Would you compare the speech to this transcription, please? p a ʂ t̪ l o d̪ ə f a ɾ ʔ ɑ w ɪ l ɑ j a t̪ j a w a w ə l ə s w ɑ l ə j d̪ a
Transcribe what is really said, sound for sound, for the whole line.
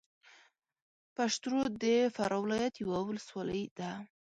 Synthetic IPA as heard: p a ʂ t̪ ɾ o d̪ ə f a ɾ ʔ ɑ w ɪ l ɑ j a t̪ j a w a w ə l ə s w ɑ l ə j d̪ a